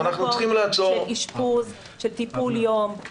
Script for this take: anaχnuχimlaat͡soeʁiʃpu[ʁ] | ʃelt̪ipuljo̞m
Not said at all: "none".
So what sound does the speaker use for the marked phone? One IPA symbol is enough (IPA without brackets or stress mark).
z